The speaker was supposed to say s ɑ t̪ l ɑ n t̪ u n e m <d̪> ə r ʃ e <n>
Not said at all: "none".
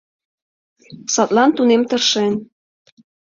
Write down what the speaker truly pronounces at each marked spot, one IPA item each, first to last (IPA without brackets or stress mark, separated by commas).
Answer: t̪, n